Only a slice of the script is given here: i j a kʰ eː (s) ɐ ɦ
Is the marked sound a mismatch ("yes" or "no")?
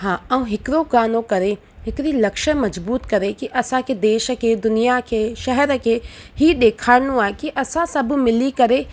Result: yes